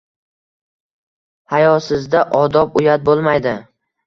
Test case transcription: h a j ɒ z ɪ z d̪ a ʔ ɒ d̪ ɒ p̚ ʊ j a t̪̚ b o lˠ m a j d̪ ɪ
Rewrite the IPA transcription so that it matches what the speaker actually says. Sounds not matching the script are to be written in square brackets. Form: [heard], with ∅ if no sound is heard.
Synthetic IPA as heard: h a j ɒ [s] ɪ z d̪ a ʔ ɒ d̪ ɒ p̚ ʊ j a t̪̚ b o lˠ m a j d̪ ɪ